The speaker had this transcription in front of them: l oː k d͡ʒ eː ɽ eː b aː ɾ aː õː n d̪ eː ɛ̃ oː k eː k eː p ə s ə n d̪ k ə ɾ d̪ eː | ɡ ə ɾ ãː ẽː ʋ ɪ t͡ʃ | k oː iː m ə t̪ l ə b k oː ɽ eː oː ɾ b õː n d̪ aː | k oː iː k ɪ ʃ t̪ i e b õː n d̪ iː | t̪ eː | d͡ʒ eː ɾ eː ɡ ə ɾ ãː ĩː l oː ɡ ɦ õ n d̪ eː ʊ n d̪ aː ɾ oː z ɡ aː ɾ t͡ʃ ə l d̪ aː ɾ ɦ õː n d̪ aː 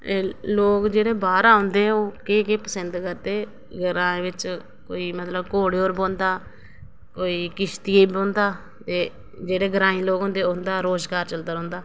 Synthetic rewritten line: l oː k d͡ʒ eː ɽ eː b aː ɾ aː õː n d̪ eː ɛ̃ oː k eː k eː p ə s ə n d̪ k ə ɾ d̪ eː | ɡ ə ɾ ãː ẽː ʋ ɪ t͡ʃ | k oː iː m ə t̪ l ə b k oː ɽ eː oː ɾ b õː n d̪ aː | k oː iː k ɪ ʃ t̪ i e b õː n d̪ aː | t̪ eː | d͡ʒ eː ɽ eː ɡ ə ɾ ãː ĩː l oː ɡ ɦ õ n d̪ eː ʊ n d̪ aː ɾ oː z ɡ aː ɾ t͡ʃ ə l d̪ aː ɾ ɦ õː n d̪ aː

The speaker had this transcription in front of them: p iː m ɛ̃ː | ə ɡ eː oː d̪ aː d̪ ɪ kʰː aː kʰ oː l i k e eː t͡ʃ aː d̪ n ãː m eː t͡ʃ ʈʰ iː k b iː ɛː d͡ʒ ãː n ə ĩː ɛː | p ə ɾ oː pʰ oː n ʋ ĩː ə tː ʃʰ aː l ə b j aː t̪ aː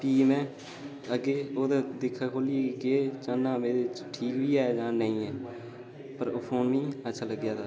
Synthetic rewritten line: p iː m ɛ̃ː | ə ɡ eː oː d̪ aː d̪ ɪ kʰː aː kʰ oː l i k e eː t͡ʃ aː n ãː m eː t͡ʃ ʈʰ iː k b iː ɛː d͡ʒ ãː n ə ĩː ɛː | p ə ɾ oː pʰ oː n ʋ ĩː ə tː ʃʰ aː l ə ɡ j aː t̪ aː

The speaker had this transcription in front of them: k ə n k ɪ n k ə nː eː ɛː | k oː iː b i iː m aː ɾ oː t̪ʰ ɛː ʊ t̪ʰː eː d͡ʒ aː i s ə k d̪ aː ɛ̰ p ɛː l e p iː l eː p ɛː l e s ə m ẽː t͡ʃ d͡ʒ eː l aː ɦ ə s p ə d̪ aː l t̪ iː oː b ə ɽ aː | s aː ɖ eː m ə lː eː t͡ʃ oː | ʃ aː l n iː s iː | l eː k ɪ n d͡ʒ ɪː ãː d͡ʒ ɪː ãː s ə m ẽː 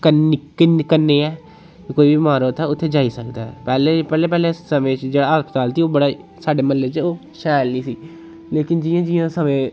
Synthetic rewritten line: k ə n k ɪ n k ə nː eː ɛː | k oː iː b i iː m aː ɾ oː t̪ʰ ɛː ʊ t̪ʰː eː d͡ʒ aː i s ə k d̪ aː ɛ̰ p ɛː l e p ɛː l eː p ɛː l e s ə m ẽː t͡ʃ d͡ʒ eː ɽ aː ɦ ə s p ə t̪ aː l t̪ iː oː b ə ɽ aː | s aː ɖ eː m ə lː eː t͡ʃ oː | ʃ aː l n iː s iː | l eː k ɪ n d͡ʒ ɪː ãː d͡ʒ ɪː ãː s ə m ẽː

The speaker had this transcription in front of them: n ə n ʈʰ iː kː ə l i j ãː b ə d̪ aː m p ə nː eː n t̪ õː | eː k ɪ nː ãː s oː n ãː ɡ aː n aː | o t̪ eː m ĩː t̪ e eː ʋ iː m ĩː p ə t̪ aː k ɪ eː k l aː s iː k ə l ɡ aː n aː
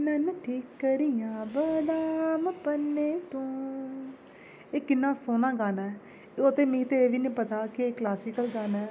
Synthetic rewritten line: n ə n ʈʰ iː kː ə ɾ i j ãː b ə d̪ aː m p ə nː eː t̪ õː | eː k ɪ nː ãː s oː n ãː ɡ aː n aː | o t̪ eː m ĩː t̪ e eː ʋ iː n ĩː p ə t̪ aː k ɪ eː k l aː s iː k ə l ɡ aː n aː

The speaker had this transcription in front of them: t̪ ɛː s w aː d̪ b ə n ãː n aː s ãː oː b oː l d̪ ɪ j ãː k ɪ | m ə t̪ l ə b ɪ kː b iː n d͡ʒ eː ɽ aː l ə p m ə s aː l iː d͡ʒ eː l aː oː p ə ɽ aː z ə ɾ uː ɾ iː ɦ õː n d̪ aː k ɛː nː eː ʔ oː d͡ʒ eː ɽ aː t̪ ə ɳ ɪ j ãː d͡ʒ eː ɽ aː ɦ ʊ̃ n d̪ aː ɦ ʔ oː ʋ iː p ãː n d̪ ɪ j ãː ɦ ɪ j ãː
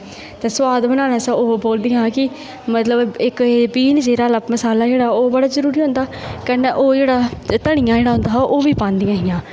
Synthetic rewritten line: t̪ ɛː s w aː d̪ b ə n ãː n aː s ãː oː b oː l d̪ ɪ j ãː k ɪ | m ə t̪ l ə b ɪ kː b iː n d͡ʒ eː ɾ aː l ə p m ə s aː l aː d͡ʒ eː ɽ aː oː b ə ɽ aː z ə ɾ uː ɾ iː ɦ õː n d̪ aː k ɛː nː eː ʔ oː d͡ʒ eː ɽ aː t̪ ə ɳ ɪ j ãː d͡ʒ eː ɽ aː ɦ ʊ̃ n d̪ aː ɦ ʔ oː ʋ iː p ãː n d̪ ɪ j ãː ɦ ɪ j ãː

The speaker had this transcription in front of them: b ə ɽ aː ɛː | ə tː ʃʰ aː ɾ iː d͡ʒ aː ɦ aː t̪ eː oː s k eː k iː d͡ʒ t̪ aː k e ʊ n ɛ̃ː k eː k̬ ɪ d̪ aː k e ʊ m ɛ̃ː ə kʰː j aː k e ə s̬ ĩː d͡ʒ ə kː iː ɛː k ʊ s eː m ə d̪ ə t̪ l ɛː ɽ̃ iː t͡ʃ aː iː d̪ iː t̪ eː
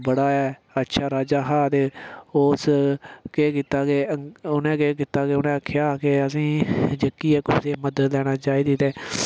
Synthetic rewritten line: b ə ɽ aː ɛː | ə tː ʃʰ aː ɾ aː d͡ʒ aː ɦ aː t̪ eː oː s k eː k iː t̪ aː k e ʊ n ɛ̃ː k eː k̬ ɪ t̪ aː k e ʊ n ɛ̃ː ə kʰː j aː k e ə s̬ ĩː d͡ʒ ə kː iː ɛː k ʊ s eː m ə d̪ ə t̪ l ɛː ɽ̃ aː t͡ʃ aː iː d̪ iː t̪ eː

